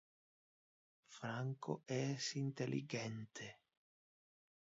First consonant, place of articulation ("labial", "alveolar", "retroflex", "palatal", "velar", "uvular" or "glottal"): labial